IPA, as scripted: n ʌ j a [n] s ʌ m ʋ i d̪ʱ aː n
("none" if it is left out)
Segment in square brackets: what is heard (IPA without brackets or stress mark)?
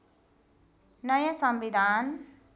none